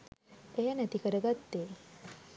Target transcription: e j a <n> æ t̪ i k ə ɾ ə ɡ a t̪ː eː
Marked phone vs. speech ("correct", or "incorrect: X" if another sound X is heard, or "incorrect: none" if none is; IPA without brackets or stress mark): correct